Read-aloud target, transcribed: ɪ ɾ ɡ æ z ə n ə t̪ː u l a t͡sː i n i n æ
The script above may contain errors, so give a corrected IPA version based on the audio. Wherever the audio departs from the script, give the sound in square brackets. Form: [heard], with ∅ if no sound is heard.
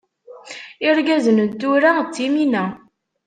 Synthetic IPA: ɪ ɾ ɡ æ z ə n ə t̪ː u [ɾ] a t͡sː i [m] i n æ